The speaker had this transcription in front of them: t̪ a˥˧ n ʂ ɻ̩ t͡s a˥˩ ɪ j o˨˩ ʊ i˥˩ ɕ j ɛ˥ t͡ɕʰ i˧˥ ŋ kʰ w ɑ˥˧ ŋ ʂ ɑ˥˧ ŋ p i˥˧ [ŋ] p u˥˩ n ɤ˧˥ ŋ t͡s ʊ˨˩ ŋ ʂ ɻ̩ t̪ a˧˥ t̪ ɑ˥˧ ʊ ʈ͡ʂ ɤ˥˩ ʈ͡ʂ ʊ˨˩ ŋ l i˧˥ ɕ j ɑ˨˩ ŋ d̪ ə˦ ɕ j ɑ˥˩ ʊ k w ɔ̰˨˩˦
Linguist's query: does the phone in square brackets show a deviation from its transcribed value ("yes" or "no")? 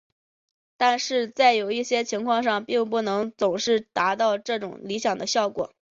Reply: no